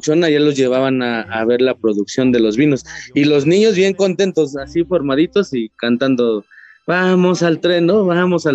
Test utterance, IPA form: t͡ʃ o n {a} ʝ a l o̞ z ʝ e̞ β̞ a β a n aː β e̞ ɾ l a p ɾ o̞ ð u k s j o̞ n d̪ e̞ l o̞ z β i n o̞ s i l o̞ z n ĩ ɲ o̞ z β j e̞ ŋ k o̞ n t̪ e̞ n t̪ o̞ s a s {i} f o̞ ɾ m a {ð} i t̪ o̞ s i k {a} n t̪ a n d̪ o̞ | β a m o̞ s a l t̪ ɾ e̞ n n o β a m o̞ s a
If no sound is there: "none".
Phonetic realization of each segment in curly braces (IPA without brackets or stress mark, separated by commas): a, i, ð, a